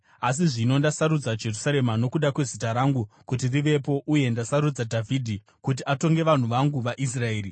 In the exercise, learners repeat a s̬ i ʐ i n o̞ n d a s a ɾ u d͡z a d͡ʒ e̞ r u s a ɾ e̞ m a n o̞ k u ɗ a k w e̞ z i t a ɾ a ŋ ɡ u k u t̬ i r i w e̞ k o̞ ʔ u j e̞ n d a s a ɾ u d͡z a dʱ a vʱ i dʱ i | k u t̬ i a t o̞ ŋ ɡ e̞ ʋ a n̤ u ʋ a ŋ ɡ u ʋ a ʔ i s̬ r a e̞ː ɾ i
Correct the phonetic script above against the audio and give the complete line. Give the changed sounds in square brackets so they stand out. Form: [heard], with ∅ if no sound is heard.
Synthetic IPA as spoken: a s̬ i ʐ i n o̞ n d a s a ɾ u d͡z a d͡ʒ e̞ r u s a ɾ e̞ m a n o̞ k u ɗ a k w e̞ z i t a ɾ a ŋ ɡ u k u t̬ i r i [ʋ] e̞ [p] o̞ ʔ u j e̞ n d a s a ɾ u d͡z a dʱ a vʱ i dʱ i | k u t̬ i a t o̞ ŋ ɡ e̞ ʋ a n̤ u ʋ a ŋ ɡ u ʋ a ʔ i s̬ r a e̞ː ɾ i